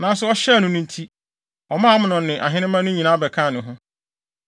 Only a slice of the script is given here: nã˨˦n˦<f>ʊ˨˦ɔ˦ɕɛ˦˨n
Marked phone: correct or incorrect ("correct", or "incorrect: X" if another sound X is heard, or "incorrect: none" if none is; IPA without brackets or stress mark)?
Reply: incorrect: s